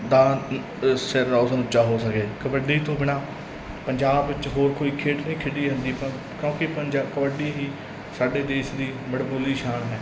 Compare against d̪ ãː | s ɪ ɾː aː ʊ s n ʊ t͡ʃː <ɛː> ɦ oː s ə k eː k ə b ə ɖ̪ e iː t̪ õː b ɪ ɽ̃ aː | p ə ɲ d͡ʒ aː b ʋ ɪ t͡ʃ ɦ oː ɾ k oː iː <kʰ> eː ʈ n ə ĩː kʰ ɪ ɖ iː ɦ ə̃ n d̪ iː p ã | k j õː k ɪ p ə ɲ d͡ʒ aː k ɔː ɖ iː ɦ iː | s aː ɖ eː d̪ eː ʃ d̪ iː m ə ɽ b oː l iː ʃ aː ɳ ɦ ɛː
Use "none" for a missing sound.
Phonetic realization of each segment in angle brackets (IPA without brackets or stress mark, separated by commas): aː, kʰ